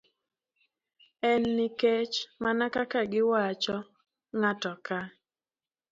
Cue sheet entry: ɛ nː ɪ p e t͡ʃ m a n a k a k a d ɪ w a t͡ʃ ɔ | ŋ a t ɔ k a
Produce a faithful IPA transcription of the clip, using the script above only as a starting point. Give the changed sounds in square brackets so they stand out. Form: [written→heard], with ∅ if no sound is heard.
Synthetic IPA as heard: ɛ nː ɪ [p→k] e t͡ʃ m a n a k a k a [d→ɡ] ɪ w a t͡ʃ ɔ | ŋ a t ɔ k a